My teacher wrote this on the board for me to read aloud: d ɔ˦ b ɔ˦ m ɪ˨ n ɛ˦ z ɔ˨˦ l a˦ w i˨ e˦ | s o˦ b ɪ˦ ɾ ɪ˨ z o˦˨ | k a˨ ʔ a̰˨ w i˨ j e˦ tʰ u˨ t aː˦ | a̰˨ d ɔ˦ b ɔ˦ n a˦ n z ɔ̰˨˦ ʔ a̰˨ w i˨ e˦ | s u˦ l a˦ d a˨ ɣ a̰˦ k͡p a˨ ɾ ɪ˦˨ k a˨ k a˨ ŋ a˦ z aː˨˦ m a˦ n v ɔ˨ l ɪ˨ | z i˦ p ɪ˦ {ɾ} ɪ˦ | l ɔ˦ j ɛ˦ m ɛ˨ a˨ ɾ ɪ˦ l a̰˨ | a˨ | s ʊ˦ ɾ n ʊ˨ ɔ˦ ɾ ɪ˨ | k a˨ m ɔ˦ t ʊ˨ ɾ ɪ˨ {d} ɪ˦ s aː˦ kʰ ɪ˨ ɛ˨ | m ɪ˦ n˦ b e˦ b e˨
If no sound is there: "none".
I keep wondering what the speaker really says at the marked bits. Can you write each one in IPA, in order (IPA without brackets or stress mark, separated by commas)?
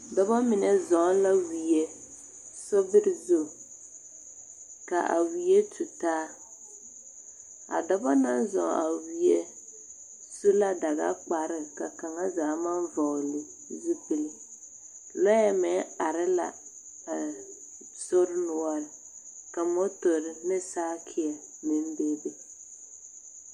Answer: l, n